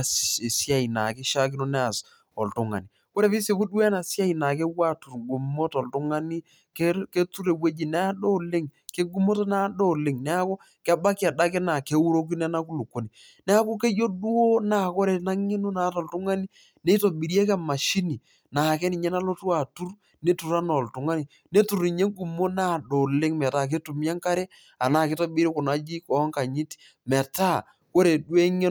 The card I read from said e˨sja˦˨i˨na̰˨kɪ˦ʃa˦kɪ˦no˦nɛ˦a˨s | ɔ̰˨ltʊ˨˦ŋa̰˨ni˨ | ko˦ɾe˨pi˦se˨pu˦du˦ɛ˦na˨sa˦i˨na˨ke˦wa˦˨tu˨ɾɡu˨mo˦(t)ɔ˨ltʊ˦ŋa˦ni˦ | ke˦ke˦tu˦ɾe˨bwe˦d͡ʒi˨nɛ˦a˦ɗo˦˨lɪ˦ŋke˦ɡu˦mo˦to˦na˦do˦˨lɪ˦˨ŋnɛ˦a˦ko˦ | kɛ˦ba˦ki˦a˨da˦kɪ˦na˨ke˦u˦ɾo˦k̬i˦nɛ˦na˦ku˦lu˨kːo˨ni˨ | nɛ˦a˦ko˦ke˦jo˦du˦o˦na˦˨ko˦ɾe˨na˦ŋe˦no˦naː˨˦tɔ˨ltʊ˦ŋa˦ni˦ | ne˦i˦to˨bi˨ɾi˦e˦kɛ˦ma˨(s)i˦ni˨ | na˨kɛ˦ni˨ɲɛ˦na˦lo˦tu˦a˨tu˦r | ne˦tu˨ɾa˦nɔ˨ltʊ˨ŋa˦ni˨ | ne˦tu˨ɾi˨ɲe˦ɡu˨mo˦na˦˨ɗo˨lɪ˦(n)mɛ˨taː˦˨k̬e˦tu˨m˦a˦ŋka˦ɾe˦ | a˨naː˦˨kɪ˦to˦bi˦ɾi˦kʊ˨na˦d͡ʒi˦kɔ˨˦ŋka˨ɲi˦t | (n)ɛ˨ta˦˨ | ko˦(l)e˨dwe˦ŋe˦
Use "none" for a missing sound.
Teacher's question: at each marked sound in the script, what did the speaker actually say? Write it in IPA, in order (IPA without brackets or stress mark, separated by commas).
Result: t, ʃ, ŋ, m, ɾ